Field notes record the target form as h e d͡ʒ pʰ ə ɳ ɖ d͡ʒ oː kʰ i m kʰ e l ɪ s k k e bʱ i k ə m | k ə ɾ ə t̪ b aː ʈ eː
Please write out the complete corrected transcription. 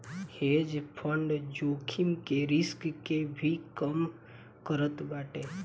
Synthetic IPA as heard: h e d͡ʒ pʰ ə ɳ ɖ d͡ʒ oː kʰ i m k e ɾ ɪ s k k e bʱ i k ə m | k ə ɾ ə t̪ b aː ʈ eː